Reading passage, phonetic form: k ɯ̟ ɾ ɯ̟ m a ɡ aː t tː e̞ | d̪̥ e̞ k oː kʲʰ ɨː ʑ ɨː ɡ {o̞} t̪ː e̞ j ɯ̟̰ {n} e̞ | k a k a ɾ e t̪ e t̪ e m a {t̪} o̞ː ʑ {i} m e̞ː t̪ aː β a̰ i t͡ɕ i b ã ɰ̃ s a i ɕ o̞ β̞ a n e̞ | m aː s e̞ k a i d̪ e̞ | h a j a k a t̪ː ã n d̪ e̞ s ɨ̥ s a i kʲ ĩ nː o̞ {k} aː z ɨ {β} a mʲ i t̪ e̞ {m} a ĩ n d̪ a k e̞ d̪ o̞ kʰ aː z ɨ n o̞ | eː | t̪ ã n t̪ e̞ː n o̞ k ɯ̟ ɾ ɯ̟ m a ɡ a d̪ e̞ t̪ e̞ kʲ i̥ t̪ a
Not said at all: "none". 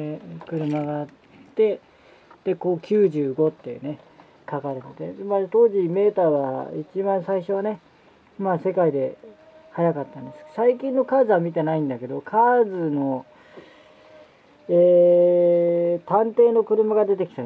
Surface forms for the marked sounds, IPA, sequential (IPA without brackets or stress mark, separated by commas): o̞, n, t̪, i, k, β, n